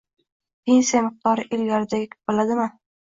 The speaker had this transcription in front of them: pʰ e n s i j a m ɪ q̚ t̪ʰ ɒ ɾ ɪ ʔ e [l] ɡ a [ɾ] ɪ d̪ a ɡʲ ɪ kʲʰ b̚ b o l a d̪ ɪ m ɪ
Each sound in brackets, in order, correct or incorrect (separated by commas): correct, correct